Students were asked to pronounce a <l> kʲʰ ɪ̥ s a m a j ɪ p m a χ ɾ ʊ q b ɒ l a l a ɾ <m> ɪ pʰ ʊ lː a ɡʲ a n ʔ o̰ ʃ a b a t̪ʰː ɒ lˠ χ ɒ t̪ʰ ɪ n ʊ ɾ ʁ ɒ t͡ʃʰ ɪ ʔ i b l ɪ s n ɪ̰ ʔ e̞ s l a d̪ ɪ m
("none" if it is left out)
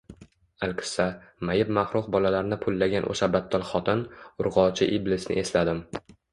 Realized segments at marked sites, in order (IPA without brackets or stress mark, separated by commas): l, n